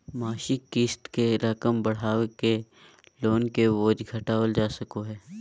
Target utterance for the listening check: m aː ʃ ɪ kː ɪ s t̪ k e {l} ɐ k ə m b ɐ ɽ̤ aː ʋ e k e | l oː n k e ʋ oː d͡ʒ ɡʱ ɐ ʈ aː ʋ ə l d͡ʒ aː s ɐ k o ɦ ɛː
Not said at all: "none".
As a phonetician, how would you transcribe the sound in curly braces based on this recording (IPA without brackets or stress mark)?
ɾ